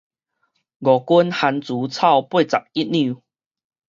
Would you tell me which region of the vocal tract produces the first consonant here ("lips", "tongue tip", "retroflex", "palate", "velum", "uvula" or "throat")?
velum